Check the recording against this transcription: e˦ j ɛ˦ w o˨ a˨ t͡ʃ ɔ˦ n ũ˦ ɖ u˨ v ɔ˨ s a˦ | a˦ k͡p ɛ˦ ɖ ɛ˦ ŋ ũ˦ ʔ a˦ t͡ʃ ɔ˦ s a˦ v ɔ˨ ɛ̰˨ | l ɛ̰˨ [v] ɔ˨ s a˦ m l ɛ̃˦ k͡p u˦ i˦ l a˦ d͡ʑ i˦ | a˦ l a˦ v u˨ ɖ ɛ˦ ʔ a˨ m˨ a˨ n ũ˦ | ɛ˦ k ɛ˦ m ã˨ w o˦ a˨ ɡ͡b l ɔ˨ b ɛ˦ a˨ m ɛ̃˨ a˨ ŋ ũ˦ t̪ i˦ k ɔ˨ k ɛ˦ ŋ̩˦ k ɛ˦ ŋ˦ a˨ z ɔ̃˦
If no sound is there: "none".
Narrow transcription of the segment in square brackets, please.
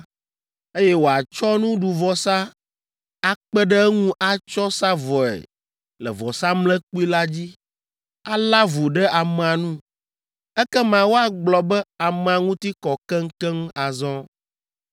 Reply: v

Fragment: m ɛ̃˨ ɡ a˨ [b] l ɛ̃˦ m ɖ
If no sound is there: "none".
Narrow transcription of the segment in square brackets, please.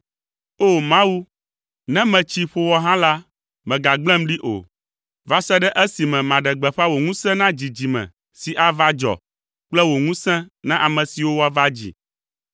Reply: ɡ͡b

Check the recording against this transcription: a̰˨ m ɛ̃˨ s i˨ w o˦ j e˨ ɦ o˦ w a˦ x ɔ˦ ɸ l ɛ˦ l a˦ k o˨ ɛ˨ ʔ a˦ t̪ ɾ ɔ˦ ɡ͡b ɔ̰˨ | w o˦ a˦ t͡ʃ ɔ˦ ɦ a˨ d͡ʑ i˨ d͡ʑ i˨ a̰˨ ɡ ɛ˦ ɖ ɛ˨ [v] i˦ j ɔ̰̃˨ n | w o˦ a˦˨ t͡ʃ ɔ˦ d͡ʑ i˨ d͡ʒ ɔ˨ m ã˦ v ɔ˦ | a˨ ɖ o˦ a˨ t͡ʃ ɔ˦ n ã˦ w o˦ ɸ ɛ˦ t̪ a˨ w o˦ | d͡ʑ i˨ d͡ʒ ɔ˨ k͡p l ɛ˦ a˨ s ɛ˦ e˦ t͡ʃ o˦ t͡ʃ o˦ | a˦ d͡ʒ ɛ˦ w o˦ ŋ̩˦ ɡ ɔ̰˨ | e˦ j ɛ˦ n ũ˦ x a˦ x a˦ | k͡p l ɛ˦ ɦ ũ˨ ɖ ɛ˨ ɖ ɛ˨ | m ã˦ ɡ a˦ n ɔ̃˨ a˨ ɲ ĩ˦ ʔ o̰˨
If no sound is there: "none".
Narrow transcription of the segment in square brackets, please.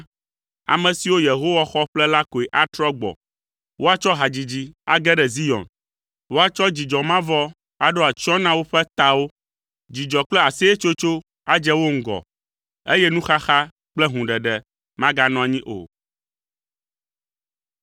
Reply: z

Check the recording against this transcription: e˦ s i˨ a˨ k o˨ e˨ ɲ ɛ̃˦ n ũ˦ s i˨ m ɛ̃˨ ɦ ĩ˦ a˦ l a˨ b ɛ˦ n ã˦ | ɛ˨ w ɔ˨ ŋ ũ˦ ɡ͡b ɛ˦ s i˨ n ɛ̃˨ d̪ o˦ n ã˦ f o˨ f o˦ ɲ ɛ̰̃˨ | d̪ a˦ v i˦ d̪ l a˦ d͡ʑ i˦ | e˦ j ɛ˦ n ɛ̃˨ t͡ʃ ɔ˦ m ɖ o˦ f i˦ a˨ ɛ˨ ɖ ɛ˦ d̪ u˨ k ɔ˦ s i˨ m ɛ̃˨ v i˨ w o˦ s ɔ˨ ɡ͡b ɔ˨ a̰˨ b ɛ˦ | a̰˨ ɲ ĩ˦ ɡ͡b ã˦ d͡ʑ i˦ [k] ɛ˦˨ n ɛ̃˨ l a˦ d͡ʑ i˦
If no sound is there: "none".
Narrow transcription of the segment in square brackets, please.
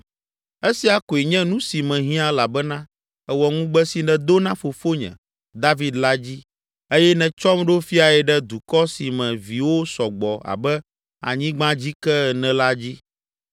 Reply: k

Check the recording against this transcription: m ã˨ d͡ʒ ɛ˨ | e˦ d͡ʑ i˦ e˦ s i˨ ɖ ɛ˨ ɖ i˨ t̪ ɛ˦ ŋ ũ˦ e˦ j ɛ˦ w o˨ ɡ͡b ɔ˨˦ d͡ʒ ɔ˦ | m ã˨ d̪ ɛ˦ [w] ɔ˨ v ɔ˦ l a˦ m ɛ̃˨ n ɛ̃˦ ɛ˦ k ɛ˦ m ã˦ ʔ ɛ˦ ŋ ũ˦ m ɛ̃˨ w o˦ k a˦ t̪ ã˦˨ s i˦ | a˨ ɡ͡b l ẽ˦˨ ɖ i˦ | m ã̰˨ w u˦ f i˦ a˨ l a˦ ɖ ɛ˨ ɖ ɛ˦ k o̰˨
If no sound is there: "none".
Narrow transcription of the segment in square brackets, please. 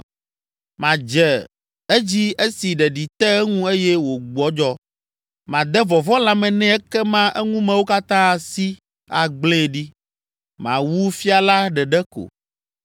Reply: v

